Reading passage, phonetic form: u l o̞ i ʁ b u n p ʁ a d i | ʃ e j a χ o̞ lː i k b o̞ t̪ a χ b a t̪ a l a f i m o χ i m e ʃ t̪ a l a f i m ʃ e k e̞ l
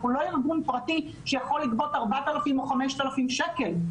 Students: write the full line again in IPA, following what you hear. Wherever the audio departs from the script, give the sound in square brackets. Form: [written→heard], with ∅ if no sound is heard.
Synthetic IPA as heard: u l o̞ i ʁ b u n p ʁ a [d→t] i | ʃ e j a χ o̞ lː i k b o̞ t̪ a [χ→ʁ] b a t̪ a l a f i m o χ [i→a] m e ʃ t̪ a l a f i m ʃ e k e̞ l